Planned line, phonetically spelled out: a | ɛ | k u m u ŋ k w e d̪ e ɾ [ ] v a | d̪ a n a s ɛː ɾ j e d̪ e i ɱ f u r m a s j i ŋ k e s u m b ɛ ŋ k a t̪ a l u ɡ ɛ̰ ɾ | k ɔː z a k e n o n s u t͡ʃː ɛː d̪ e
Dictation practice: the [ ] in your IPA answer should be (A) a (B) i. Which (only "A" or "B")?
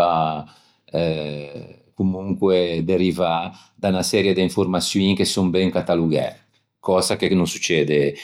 B